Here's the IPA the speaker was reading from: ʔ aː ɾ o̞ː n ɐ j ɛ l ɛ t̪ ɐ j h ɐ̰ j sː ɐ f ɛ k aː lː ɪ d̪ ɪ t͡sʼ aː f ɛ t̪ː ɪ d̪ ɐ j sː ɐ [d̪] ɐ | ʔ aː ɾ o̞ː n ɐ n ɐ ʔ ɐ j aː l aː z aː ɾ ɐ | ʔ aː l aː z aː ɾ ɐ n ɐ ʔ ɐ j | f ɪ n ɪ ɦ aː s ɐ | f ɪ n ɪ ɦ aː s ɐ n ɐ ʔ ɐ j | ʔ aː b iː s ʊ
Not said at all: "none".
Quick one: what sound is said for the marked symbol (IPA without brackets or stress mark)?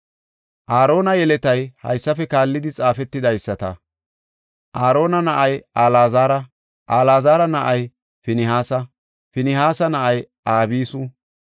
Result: t̪